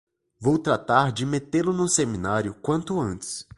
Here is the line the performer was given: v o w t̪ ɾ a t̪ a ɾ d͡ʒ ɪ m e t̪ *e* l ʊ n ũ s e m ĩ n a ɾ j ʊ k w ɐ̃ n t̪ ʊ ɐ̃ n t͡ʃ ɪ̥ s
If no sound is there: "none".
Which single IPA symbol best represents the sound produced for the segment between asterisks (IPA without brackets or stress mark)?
e